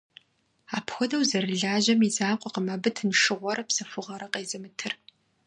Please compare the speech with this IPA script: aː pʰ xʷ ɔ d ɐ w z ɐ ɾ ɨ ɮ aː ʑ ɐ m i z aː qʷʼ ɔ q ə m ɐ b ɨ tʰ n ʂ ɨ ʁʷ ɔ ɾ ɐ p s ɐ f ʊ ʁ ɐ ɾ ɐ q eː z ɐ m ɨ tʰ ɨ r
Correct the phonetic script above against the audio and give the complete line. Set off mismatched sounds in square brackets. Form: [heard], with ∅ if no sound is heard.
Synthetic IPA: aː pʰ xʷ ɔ d ɐ w z ɐ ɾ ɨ ɮ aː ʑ ɐ m i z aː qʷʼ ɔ q ə m ɐ b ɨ tʰ n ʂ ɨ ʁʷ ɔ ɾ ɐ p s ɐ f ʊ ʁ ɐ ɾ ɐ q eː z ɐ m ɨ tʰ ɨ r